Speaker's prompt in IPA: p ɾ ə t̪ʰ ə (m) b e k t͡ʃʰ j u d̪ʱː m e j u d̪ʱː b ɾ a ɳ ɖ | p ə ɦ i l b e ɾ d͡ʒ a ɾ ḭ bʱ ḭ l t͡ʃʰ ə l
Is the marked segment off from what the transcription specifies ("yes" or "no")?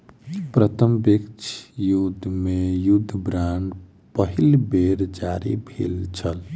no